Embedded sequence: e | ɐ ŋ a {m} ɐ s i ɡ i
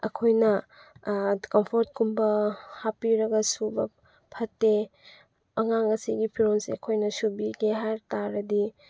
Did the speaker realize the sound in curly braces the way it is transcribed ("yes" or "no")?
no